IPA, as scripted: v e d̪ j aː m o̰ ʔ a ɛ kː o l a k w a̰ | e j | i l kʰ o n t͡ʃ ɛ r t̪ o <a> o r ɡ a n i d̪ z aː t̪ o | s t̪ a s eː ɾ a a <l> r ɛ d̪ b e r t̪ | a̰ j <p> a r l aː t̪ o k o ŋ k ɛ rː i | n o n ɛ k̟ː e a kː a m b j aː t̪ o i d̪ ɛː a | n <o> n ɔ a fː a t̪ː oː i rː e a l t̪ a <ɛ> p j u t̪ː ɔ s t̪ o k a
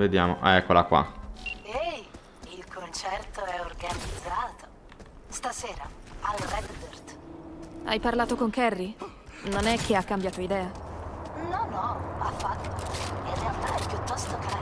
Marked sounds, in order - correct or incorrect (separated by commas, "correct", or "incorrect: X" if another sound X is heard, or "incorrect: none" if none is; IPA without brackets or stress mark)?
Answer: incorrect: ɛ, correct, correct, incorrect: ɔ, correct